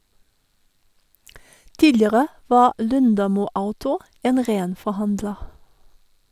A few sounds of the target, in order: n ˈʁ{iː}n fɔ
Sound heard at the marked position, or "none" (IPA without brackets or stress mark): eː